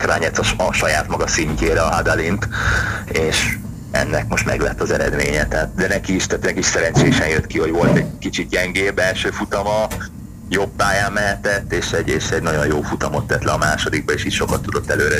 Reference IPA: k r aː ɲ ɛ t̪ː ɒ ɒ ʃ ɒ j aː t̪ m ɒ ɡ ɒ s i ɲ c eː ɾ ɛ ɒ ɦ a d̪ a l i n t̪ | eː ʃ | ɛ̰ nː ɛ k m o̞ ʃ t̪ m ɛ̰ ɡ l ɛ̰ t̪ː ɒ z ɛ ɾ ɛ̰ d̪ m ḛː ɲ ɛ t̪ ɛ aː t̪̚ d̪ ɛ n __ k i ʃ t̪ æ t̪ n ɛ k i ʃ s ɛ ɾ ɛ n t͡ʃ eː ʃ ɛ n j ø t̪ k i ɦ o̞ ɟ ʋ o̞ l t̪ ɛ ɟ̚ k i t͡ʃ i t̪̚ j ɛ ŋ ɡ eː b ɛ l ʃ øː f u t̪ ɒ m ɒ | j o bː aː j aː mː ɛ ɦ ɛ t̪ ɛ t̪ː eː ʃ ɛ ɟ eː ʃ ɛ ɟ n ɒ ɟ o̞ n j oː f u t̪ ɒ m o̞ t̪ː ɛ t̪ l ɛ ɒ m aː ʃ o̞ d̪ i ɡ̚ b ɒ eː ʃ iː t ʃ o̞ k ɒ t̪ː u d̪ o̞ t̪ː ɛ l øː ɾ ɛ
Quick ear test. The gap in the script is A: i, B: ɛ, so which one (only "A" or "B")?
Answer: B